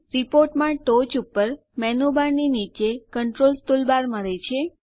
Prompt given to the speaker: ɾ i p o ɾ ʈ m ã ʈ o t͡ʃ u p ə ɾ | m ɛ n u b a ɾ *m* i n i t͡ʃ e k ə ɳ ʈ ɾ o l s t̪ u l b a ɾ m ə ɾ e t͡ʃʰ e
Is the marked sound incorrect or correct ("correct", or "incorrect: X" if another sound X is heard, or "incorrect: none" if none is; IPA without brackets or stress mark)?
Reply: incorrect: n